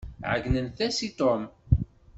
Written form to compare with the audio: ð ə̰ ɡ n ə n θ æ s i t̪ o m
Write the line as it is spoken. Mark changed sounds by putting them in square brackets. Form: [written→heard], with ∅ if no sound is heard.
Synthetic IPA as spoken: [ð→ʕ] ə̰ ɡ n ə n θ æ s i t̪ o m